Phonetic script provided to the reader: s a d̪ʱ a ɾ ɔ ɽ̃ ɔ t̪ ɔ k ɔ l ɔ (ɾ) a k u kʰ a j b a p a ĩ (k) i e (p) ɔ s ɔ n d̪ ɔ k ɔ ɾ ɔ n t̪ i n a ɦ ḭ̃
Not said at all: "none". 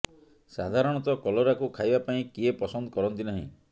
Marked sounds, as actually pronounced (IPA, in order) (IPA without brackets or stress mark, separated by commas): ɾ, k, p